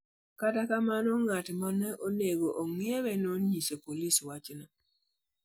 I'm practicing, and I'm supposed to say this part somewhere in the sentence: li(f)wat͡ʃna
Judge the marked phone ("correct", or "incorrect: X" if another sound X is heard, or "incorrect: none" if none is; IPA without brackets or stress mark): incorrect: s